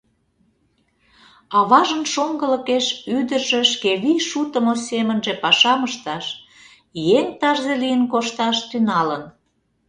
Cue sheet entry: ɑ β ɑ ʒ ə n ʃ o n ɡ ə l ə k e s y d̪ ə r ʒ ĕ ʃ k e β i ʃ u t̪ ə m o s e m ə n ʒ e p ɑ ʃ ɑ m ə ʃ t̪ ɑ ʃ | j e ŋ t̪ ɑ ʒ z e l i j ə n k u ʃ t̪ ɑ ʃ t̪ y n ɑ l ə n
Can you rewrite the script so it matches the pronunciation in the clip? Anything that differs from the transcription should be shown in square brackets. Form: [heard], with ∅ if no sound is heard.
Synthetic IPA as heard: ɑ β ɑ ʒ ə n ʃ o [ŋ] ɡ ə l ə k e [ʃ] y d̪ ə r ʒ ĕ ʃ k e β i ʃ u t̪ ə m o s e m ə n ʒ e p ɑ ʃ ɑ m ə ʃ t̪ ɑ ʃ | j e ŋ t̪ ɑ ʒ z e l i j ə n k [o] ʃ t̪ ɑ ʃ t̪ y n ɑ l ə n